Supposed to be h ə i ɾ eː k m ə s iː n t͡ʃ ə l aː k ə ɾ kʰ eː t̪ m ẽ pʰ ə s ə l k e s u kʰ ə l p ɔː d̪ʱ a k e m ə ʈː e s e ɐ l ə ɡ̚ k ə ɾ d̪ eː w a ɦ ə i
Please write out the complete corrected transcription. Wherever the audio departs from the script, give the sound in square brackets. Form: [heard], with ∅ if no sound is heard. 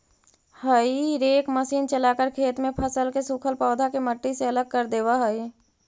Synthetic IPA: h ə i ɾ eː k m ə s iː n t͡ʃ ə l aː k ə ɾ kʰ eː t̪ m ẽ pʰ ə s ə l k e s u kʰ ə l p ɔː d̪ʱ a k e m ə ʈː [i] s e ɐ l ə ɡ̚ k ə ɾ d̪ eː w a ɦ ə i